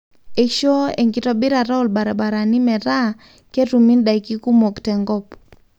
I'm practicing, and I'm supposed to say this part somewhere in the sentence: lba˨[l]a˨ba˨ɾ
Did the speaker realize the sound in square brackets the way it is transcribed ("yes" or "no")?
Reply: no